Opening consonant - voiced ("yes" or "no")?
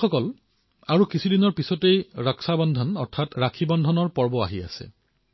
no